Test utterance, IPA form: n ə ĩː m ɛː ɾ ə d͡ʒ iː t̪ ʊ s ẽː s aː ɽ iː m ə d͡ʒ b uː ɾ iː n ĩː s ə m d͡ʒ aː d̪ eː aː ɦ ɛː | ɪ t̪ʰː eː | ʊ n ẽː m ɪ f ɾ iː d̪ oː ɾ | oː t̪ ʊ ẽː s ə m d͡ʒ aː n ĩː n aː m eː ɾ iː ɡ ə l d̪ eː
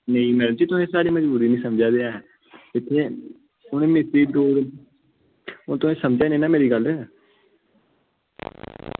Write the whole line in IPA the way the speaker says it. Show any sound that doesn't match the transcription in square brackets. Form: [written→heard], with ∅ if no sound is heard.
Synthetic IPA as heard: n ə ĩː m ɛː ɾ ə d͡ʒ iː t̪ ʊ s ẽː s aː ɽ iː m ə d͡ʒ b uː ɾ iː n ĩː s ə m d͡ʒ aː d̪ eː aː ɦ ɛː | ɪ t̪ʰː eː | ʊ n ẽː m ɪ [f→s] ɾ iː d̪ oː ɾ | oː t̪ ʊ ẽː s ə m d͡ʒ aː n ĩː n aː m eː ɾ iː ɡ ə l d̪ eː